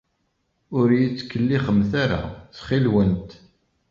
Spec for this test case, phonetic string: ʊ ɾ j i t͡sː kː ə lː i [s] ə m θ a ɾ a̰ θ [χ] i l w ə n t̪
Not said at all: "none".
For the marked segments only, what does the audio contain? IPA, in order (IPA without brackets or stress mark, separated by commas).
χ, χ